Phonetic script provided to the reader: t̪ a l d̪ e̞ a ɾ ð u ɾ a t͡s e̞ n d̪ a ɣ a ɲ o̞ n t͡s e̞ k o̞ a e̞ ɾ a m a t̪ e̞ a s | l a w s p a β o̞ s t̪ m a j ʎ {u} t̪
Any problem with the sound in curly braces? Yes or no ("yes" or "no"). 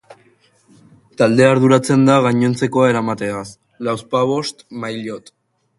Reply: yes